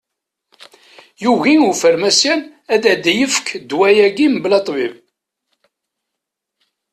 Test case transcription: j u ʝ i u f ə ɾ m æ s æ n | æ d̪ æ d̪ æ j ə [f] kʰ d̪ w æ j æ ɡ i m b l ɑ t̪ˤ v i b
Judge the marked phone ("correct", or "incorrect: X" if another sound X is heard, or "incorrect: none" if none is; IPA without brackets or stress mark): correct